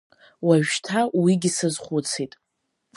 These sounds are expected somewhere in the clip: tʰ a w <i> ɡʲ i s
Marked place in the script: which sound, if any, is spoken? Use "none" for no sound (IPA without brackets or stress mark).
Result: i